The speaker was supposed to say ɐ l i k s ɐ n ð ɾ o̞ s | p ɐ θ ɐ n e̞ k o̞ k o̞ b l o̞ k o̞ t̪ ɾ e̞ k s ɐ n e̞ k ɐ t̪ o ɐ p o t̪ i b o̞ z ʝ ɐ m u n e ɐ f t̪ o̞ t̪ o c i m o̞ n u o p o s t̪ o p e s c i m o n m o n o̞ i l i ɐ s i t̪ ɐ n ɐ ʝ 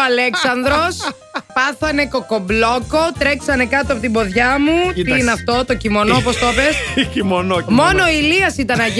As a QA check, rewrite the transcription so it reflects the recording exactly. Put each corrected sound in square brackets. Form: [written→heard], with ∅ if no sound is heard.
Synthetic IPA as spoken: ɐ l [i→e] k s ɐ n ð ɾ o̞ s | p ɐ θ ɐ n e̞ k o̞ k o̞ b l o̞ k o̞ t̪ ɾ e̞ k s ɐ n e̞ k ɐ t̪ o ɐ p o t̪ i b o̞ [z→ð] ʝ ɐ m u n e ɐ f t̪ o̞ t̪ o c i m o̞ n [u→o] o p o s t̪ o p e s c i m o n m o n o̞ i l i ɐ s i t̪ ɐ n ɐ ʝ